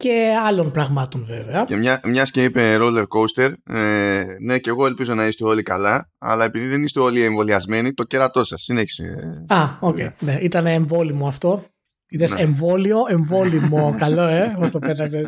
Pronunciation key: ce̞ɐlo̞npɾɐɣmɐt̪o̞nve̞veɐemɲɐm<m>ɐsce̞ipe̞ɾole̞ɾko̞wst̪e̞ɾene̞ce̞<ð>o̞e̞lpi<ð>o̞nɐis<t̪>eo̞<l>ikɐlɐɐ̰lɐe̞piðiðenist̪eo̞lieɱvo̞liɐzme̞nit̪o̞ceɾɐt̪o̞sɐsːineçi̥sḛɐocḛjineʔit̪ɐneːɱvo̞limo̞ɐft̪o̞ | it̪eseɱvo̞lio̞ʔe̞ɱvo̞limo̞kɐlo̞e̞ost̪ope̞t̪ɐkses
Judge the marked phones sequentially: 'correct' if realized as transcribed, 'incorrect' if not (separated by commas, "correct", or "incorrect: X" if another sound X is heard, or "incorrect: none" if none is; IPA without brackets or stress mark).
incorrect: ɲ, incorrect: ɣ, incorrect: z, correct, correct